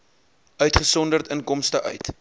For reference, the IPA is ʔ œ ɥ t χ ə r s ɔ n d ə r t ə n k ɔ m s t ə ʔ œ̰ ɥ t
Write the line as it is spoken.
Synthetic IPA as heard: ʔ œ ɥ t χ ə s ɔ n d ə r t ə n k ɔ m s t ə ʔ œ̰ ɥ t

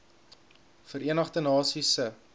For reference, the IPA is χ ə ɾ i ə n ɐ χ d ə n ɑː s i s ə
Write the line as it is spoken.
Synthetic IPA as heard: f ə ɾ i ə n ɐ χ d ə n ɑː s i s ə

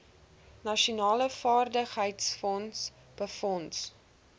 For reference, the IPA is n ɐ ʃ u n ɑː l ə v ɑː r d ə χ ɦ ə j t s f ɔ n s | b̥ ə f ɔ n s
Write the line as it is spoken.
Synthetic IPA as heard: n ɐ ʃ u n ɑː l ə f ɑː r d ə χ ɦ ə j t s f ɔ n s | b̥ ə f ɔ n s

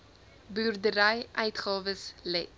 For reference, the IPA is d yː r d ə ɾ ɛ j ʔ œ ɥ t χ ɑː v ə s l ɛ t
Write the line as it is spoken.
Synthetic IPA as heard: b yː r d ə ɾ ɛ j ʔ œ ɥ t χ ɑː v ə s l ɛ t

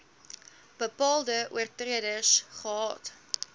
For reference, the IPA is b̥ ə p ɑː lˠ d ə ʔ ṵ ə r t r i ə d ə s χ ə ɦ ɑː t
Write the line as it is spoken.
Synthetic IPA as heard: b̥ ə p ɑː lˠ d ə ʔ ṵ ə r t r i ə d ə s χ ə ɦ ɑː t

